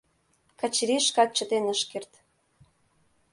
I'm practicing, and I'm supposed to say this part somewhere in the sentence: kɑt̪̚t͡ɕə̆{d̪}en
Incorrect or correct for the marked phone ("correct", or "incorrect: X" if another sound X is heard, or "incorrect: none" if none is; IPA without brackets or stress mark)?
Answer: incorrect: t̪